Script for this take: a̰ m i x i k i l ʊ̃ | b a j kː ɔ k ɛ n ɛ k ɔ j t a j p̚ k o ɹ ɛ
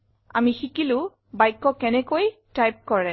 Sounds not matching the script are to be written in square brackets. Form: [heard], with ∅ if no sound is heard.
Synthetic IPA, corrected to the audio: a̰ m i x i k i l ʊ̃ | b a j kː ɔ k ɛ n ɛ k [o] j t a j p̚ k [ɔ] ɹ ɛ

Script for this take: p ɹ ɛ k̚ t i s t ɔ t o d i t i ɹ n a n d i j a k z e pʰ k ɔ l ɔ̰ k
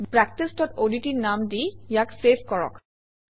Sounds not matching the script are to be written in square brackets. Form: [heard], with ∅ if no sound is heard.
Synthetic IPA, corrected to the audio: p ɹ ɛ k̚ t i s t ɔ t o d i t i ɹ n a [m] d i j a k [s] e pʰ k ɔ [ɹ] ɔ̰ k

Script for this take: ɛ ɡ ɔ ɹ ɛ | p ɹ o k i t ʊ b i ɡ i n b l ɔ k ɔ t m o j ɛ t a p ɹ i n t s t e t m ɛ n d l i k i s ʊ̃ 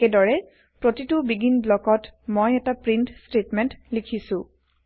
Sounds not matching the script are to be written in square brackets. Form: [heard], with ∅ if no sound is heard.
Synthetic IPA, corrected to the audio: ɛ [d] ɔ ɹ ɛ | p ɹ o [t] i t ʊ b i ɡ i n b l ɔ k ɔ t m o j ɛ t a p ɹ i n t s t e t m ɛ n [t] l i [kʰ] i s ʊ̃

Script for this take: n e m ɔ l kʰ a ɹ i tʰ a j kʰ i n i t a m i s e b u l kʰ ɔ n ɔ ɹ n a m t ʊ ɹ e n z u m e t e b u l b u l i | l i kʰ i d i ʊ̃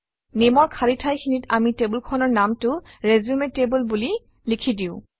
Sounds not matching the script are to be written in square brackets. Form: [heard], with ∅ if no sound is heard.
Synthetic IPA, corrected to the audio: n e m ɔ [ɹ] kʰ a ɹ i tʰ a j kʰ i n i t a m i [t] e b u l kʰ ɔ n ɔ ɹ n a m t ʊ ɹ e [∅] z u m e t e b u l b u l i | l i kʰ i d i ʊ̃

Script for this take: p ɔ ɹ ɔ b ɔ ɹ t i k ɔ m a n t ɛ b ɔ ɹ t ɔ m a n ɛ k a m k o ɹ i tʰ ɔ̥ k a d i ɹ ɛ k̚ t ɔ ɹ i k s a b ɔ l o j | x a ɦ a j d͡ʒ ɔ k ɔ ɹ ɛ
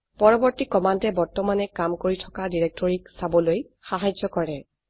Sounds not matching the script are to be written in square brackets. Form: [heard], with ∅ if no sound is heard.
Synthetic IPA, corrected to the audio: p ɔ ɹ ɔ b ɔ ɹ t i k ɔ m a n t ɛ b ɔ ɹ t ɔ m a n ɛ k a m k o ɹ i tʰ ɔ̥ k a d i ɹ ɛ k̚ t ɔ ɹ i k s a b ɔ l o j | x a ɦ a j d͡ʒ ɔ k ɔ ɹ ɛ

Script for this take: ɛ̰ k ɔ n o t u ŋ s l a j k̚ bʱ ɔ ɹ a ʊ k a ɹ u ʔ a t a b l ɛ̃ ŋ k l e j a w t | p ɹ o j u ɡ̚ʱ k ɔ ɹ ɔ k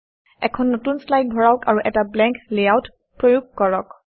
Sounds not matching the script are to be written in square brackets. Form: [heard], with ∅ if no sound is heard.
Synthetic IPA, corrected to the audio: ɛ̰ [kʰ] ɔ [nː] o t u [n] s l a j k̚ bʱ ɔ ɹ a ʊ k a ɹ u ʔ [ɛ] t a b l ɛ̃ ŋ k l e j a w t | p ɹ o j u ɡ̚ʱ k ɔ ɹ ɔ k

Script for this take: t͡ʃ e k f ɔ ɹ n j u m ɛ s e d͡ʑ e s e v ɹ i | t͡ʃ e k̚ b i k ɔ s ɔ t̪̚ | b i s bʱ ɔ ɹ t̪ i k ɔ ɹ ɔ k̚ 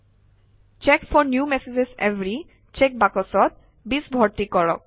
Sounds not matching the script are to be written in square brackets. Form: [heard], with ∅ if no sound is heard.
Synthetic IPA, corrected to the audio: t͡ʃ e k f ɔ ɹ n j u m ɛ s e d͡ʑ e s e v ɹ i | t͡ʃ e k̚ b [a] k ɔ s ɔ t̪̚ | b i s bʱ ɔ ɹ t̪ i k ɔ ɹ ɔ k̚

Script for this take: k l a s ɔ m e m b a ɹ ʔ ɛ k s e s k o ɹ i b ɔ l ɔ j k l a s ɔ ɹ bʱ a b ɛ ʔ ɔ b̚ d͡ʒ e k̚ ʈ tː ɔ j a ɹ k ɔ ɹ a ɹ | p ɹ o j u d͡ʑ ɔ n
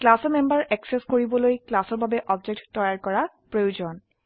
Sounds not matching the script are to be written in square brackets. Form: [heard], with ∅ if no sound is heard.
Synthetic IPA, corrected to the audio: k l a s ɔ m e m b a ɹ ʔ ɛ k s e s k o ɹ i b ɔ l [o] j k l a s ɔ ɹ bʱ a b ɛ ʔ ɔ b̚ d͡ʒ e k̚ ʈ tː ɔ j a ɹ k ɔ ɹ a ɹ | p ɹ o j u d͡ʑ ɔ n

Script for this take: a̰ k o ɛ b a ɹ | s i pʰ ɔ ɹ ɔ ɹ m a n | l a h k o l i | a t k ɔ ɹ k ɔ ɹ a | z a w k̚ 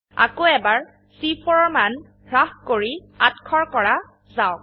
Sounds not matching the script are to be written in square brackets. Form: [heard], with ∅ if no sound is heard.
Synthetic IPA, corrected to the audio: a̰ k o ɛ b a ɹ | s i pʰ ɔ ɹ ɔ ɹ m a n | [ɹ] a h k o [ɹ] i | a t [kʰ] ɔ ɹ k ɔ ɹ a | z a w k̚

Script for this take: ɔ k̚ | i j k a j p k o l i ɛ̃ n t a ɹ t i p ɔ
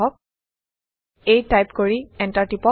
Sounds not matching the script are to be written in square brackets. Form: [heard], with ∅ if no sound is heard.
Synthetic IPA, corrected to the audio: ɔ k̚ | [e] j [t] a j p k o [ɹ] i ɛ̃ n t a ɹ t i p ɔ

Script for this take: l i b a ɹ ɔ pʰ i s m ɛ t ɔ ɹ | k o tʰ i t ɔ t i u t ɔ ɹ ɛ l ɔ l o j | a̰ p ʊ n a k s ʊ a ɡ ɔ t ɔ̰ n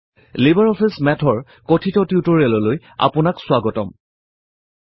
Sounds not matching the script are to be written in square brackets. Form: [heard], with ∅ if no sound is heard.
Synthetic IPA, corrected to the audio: l i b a ɹ ɔ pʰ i s m ɛ [tʰ] ɔ ɹ | k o tʰ i t ɔ t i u t ɔ ɹ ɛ l ɔ l o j | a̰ p ʊ n a k s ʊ a ɡ ɔ t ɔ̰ [m]

